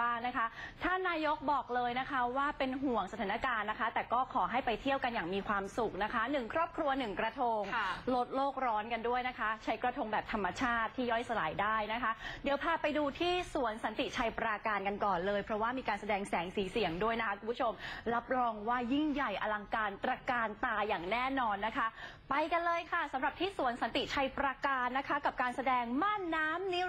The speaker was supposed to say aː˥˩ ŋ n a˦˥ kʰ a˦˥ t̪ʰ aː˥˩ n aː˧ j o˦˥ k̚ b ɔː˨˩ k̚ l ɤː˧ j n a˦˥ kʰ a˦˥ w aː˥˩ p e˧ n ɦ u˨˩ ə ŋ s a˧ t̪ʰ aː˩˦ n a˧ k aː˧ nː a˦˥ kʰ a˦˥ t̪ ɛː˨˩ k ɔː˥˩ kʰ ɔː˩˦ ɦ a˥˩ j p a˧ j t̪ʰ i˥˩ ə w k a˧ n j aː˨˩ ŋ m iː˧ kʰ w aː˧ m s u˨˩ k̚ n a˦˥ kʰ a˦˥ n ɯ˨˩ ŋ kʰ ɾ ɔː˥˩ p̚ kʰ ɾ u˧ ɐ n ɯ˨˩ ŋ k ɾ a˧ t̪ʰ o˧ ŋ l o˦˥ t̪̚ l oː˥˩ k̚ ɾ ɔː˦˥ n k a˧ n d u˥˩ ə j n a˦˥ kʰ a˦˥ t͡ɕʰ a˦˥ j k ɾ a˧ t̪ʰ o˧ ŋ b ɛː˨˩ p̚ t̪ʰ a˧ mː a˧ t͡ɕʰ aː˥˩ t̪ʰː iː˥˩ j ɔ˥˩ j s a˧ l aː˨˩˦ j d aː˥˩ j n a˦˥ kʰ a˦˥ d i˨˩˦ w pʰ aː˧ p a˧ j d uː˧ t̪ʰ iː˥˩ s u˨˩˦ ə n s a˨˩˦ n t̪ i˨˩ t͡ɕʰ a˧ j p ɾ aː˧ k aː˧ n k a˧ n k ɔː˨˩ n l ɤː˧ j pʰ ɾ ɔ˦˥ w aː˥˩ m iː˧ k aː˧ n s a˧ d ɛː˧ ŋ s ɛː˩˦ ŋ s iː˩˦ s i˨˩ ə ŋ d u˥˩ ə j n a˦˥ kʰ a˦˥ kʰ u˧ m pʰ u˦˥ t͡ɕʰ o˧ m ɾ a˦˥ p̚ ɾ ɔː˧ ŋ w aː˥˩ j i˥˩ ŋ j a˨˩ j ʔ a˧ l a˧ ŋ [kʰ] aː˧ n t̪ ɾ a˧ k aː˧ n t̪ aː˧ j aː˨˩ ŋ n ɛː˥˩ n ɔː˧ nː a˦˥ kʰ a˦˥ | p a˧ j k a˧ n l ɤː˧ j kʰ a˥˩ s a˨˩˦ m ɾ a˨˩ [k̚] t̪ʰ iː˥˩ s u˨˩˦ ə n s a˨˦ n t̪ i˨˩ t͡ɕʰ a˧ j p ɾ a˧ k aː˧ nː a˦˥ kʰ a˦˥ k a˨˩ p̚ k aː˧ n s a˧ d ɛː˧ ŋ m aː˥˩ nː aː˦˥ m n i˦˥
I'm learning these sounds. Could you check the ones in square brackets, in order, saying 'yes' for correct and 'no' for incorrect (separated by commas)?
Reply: no, no